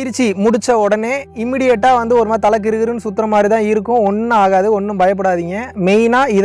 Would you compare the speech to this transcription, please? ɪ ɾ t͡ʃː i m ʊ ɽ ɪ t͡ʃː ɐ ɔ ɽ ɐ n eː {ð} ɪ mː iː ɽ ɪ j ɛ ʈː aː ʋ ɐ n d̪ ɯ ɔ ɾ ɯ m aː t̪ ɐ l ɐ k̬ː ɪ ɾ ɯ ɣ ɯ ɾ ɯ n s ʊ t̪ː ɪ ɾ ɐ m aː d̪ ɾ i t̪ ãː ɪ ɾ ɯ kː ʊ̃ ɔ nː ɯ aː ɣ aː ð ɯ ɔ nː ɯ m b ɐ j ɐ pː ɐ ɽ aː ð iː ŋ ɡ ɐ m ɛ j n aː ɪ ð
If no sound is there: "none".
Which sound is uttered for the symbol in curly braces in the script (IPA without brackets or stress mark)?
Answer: none